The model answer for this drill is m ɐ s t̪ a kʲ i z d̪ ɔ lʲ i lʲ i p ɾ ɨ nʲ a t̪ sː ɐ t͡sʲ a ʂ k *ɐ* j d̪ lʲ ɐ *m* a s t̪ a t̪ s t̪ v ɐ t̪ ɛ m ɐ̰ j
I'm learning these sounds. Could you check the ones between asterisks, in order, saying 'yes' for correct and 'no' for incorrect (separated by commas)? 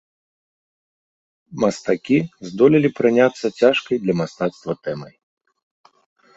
yes, yes